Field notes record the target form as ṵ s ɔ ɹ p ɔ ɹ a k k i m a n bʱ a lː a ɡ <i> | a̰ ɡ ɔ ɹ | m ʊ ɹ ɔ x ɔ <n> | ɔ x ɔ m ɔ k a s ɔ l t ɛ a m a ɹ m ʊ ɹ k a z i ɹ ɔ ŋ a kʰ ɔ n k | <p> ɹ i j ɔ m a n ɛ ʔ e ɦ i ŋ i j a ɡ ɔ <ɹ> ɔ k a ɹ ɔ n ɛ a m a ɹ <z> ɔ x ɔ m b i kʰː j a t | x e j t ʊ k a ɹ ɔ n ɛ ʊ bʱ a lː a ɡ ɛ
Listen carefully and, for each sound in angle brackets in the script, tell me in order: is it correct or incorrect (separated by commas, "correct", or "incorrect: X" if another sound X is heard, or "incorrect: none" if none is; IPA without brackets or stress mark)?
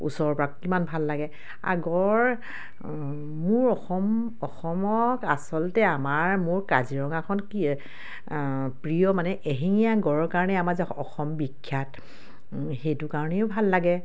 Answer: incorrect: ɛ, incorrect: m, correct, correct, correct